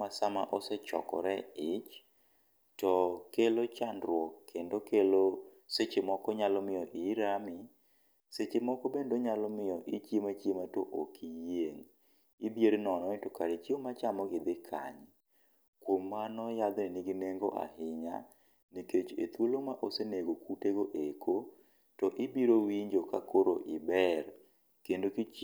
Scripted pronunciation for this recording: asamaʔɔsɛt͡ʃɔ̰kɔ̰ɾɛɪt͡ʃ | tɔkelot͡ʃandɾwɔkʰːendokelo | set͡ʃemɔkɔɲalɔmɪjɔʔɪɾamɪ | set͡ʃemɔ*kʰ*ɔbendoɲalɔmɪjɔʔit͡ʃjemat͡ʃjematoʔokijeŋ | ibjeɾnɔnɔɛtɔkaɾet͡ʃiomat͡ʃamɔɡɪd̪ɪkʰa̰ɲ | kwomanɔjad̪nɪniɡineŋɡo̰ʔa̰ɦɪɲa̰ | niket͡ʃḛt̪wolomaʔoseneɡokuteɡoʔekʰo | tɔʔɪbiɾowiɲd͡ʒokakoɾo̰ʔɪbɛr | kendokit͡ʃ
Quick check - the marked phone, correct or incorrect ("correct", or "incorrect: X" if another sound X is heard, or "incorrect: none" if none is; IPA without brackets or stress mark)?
incorrect: k